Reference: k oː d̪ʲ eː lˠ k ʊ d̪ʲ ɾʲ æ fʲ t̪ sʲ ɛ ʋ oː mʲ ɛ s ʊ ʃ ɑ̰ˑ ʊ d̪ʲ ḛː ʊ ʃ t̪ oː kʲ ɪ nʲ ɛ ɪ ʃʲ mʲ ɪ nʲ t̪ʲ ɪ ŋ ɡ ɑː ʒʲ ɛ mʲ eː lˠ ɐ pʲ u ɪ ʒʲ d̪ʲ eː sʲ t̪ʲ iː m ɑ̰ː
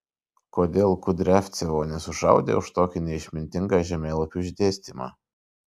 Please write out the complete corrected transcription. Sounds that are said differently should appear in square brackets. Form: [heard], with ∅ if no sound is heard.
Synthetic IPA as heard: k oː d̪ʲ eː lˠ k ʊ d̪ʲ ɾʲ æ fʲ t̪ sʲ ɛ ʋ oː [nʲ] ɛ s ʊ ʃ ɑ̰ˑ ʊ d̪ʲ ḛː ʊ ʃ t̪ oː kʲ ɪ nʲ ɛ ɪ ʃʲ mʲ ɪ nʲ t̪ʲ ɪ ŋ ɡ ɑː ʒʲ ɛ mʲ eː lˠ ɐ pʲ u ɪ ʒʲ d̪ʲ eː sʲ t̪ʲ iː m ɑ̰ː

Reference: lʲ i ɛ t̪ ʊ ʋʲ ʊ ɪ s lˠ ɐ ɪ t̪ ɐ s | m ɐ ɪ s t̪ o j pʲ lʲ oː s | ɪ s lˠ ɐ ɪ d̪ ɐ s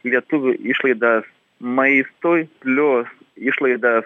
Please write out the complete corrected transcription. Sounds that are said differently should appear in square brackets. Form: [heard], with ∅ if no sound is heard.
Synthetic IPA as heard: lʲ i ɛ t̪ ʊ ʋʲ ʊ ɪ [ʃ] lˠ ɐ ɪ [d̪] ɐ s | m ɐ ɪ s t̪ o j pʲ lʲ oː s | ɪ [ʃ] lˠ ɐ ɪ d̪ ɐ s

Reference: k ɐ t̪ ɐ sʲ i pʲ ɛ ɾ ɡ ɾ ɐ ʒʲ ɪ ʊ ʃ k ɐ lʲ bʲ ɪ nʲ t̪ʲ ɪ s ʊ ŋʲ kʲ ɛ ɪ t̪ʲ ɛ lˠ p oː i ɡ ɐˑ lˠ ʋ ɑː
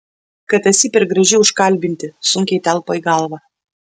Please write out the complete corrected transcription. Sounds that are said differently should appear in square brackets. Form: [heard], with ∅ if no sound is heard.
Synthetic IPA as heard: k ɐ t̪ ɐ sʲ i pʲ ɛ ɾ ɡ ɾ ɐ ʒʲ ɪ ʊ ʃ k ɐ lʲ bʲ ɪ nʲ t̪ʲ ɪ s ʊ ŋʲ kʲ ɛ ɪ t̪ʲ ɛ lˠ p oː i ɡ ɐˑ lˠ ʋ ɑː

